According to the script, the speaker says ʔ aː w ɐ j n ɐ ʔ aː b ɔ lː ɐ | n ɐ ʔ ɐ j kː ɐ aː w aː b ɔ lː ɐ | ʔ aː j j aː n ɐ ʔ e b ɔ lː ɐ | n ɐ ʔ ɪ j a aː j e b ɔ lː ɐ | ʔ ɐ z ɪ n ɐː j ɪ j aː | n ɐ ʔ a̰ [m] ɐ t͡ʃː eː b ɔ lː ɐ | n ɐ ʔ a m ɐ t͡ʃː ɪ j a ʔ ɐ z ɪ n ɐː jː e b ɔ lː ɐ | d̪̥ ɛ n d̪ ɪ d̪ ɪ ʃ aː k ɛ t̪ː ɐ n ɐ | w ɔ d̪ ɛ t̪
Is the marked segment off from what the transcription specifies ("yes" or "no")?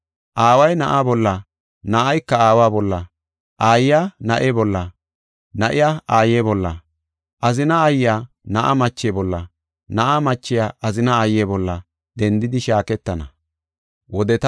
no